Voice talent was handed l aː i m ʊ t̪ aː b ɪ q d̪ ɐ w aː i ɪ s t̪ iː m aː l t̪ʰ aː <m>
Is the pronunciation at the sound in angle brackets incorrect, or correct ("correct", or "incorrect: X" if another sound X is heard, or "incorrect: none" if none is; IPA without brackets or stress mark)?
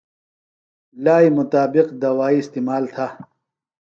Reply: incorrect: none